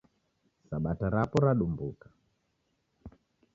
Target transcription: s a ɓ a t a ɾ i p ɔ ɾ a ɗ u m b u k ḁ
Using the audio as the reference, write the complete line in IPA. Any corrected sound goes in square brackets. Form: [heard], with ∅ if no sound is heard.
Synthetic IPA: s a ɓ a t a ɾ [a] p ɔ ɾ a ɗ u m b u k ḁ